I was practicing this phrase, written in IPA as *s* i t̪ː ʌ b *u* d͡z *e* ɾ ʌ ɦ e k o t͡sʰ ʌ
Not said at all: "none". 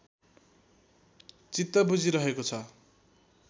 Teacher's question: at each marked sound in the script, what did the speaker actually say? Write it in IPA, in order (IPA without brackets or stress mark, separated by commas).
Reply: t͡s, u, i